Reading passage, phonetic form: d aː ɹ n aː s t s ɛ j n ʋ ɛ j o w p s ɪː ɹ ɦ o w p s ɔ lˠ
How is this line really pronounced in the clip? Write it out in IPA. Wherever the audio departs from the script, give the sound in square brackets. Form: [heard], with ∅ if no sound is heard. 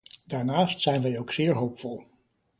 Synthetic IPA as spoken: d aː ɹ n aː s t s ɛ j n ʋ ɛ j o w [k] s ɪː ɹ ɦ o w p [f] ɔ lˠ